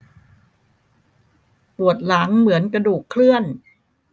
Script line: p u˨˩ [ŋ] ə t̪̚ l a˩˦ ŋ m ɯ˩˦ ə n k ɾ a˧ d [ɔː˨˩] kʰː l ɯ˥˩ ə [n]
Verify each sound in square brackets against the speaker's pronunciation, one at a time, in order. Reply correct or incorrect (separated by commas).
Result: incorrect, incorrect, correct